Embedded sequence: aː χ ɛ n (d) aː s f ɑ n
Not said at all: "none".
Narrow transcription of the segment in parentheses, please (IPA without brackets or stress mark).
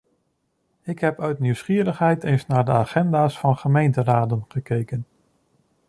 d